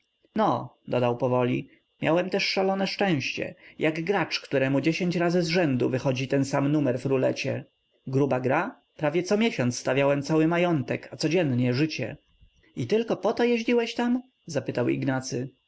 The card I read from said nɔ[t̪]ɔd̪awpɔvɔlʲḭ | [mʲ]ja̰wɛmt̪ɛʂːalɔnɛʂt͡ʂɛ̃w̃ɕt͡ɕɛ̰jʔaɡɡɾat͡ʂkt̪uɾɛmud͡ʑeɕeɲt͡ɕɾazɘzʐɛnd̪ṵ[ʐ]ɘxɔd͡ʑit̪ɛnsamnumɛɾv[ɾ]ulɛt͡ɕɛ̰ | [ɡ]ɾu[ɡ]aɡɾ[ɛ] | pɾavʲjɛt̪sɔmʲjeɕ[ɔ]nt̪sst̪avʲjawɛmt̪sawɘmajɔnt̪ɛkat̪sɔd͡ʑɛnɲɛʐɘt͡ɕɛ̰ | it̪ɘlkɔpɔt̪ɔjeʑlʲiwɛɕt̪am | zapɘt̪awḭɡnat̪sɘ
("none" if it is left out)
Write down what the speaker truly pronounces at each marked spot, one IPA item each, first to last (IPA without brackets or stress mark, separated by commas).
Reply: d̪, mʲ, v, ɾ, ɡ, b, a, ɔ